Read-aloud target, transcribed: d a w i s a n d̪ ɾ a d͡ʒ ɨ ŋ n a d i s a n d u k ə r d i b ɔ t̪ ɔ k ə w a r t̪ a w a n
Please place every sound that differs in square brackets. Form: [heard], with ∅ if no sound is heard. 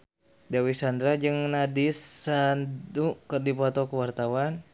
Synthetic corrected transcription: d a w i s a n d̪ ɾ a d͡ʒ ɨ ŋ n a d i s a n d u k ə r d i [p] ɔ t̪ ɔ k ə w a r t̪ a w a n